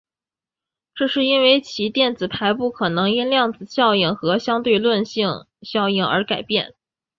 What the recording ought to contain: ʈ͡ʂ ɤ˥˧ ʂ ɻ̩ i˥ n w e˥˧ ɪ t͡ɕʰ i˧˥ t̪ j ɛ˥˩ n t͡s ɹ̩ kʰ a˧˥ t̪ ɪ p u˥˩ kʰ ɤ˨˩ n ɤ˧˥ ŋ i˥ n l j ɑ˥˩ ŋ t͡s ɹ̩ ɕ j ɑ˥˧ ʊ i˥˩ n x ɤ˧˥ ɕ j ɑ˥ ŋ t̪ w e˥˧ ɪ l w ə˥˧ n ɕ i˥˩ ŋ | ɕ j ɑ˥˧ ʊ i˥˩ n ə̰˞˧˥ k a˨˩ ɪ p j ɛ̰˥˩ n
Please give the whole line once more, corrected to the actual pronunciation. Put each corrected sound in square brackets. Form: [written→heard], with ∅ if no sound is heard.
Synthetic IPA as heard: ʈ͡ʂ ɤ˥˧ ʂ ɻ̩ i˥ n w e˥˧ ɪ t͡ɕʰ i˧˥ t̪ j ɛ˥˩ n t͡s ɹ̩ [kʰ→pʰ] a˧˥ [t̪→∅] ɪ p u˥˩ kʰ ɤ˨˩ n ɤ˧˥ ŋ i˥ n l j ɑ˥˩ ŋ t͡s ɹ̩ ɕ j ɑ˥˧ ʊ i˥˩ [n→ŋ] x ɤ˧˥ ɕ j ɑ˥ ŋ t̪ w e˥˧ ɪ l w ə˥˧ n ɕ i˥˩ ŋ | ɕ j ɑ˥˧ ʊ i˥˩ [n→ŋ] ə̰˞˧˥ k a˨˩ ɪ p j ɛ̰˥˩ n